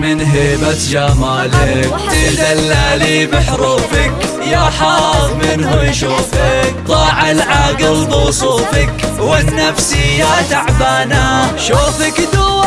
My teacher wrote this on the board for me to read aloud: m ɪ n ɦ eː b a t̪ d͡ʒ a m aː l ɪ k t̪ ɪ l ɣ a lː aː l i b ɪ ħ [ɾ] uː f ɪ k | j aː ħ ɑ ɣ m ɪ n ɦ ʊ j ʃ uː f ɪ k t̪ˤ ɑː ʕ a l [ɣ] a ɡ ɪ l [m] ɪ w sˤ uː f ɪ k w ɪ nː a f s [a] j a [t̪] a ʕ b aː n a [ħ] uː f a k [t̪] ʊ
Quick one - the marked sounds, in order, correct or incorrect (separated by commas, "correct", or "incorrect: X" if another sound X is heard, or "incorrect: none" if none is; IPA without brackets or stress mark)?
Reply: correct, incorrect: ʕ, incorrect: b, incorrect: i, correct, incorrect: ʃ, incorrect: d̪